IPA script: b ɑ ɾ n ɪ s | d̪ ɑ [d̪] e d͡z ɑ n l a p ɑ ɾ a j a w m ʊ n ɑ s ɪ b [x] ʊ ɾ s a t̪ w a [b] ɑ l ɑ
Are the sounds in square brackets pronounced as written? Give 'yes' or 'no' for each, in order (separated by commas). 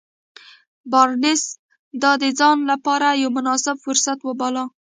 yes, no, yes